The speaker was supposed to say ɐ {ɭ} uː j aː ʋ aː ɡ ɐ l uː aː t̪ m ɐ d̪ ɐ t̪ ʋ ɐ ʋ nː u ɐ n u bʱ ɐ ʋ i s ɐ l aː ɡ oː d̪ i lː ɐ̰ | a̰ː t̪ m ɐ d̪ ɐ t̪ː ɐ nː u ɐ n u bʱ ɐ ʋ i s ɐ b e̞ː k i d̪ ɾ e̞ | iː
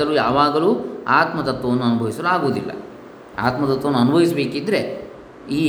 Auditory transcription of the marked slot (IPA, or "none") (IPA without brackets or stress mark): l